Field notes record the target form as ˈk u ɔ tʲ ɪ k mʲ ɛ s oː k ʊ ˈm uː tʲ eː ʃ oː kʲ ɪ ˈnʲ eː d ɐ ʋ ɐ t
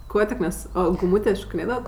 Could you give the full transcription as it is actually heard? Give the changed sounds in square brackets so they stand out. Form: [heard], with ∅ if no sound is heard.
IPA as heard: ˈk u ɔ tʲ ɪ k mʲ ɛ s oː [ɡ] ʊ ˈm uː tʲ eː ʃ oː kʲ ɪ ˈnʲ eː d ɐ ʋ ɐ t

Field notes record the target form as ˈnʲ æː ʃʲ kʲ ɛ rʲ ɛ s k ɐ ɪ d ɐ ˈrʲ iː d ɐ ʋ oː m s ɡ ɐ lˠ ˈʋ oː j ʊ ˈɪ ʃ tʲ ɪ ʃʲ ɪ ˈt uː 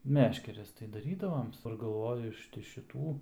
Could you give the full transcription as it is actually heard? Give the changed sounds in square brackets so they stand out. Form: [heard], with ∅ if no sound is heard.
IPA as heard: [ˈmʲ] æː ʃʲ kʲ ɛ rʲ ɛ s [t] ɐ ɪ d ɐ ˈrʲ iː d ɐ ʋ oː m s ɡ ɐ lˠ ˈʋ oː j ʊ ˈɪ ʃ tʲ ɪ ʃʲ ɪ ˈt uː

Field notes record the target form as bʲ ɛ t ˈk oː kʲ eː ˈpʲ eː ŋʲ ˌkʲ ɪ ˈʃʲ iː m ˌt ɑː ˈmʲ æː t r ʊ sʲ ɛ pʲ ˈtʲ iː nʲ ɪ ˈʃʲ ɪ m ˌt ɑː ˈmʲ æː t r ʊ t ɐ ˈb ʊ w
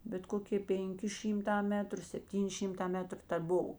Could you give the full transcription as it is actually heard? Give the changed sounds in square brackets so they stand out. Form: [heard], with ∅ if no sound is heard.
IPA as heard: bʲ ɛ t ˈk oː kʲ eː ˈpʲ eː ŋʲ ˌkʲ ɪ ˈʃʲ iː m ˌt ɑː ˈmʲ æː t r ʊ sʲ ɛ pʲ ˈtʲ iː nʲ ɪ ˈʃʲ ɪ m ˌt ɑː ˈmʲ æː t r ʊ t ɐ ˈb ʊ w

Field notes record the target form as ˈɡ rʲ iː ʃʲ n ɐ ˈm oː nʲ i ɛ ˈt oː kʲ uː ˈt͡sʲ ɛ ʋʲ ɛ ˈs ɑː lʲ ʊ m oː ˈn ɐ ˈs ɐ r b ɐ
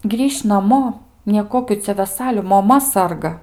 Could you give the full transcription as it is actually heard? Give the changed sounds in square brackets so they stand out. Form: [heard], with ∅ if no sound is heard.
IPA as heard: ˈɡ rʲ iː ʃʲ n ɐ ˈm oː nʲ i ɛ [ˈk] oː kʲ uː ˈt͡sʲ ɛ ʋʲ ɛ ˈs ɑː lʲ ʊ m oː [ˈm] ɐ ˈs ɐ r [ɡ] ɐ

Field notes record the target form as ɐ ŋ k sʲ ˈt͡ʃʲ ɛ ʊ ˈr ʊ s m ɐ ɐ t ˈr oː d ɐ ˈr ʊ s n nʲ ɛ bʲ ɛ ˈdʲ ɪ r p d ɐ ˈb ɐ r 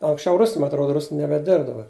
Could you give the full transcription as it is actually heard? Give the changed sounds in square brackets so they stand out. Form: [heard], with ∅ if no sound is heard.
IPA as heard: ɐ ŋ k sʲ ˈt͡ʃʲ ɛ ʊ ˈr ʊ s m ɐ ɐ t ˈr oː d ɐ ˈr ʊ s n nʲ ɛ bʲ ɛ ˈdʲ ɪ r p d ɐ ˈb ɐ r

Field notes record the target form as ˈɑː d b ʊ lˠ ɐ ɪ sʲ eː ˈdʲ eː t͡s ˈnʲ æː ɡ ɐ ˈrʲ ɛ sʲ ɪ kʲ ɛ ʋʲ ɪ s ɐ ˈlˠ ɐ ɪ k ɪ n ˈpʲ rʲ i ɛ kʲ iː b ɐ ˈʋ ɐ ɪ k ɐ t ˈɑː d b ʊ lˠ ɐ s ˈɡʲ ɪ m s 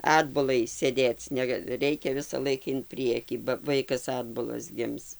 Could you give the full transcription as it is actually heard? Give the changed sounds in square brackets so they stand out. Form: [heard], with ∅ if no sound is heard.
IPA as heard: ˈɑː d b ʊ lˠ ɐ ɪ sʲ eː ˈdʲ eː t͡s ˈnʲ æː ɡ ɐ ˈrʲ ɛ [∅] ɪ kʲ ɛ ʋʲ ɪ s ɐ ˈlˠ ɐ ɪ k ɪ n ˈpʲ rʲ i ɛ kʲ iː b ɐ ˈʋ ɐ ɪ k ɐ [s] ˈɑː d b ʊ lˠ ɐ s ˈɡʲ ɪ m s

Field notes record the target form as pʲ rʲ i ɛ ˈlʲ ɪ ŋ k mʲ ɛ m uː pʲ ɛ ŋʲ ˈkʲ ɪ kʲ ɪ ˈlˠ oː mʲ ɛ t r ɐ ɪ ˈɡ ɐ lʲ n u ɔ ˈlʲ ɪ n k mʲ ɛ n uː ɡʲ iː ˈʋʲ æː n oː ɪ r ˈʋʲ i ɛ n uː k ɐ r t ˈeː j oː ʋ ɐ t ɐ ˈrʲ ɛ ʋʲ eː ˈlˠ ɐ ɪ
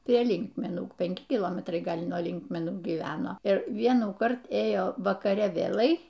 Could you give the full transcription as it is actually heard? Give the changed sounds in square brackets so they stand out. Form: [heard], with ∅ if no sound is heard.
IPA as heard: pʲ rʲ i ɛ ˈlʲ ɪ ŋ k mʲ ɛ [n] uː pʲ ɛ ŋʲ ˈkʲ ɪ kʲ ɪ ˈlˠ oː mʲ ɛ t r ɐ ɪ ˈɡ ɐ lʲ n u ɔ ˈlʲ ɪ [ŋ] k mʲ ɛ n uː ɡʲ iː ˈʋʲ æː n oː ɪ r ˈʋʲ i ɛ n uː k ɐ r t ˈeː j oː ʋ ɐ [k] ɐ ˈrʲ ɛ ʋʲ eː ˈlˠ ɐ ɪ

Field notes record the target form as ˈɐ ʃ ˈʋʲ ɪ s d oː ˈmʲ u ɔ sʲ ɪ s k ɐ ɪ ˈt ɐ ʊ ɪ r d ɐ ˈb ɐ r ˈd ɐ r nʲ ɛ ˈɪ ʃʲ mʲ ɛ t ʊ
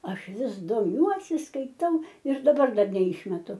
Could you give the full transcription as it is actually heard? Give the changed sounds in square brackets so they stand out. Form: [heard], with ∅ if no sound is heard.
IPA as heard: ˈɐ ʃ ˈʋʲ ɪ s d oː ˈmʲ u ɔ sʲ ɪ s k ɐ ɪ ˈt ɐ ʊ ɪ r d ɐ ˈb ɐ r ˈd ɐ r nʲ ɛ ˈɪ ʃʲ mʲ ɛ t ʊ

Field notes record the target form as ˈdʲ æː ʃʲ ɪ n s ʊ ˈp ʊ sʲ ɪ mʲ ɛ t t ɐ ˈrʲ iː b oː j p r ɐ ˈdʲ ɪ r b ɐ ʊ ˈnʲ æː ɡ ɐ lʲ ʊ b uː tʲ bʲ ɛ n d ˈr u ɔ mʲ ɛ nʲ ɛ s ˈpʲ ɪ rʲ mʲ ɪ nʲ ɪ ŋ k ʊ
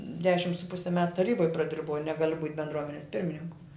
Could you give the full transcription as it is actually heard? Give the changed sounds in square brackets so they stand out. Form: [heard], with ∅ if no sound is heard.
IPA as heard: ˈdʲ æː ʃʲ ɪ [m] s ʊ ˈp ʊ sʲ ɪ mʲ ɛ t t ɐ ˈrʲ iː b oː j p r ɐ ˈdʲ ɪ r b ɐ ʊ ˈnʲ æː ɡ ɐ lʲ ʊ b uː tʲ bʲ ɛ n d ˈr u ɔ mʲ ɛ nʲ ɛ s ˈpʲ ɪ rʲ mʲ ɪ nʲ ɪ ŋ k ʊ

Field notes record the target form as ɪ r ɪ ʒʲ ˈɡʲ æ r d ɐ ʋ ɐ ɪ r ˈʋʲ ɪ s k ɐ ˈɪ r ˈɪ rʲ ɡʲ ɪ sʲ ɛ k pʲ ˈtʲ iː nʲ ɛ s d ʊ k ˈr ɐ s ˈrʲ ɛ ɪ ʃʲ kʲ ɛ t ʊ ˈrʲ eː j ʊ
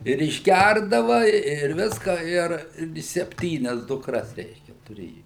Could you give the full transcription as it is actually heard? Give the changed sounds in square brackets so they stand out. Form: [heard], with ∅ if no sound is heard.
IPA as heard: ɪ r ɪ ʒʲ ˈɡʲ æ r d ɐ ʋ ɐ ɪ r ˈʋʲ ɪ s k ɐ ˈɪ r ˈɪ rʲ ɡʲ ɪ sʲ ɛ [∅] pʲ ˈtʲ iː nʲ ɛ s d ʊ k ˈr ɐ s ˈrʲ ɛ ɪ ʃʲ kʲ ɛ t ʊ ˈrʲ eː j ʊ

